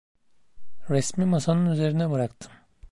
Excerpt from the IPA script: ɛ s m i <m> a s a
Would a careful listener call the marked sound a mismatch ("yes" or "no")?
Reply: no